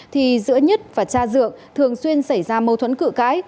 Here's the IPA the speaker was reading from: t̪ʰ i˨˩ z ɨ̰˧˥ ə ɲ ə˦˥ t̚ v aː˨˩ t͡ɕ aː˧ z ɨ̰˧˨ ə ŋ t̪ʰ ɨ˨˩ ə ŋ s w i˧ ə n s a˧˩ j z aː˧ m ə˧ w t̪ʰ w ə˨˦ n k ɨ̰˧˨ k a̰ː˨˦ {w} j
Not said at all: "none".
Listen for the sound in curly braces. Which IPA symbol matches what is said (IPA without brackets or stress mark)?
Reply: none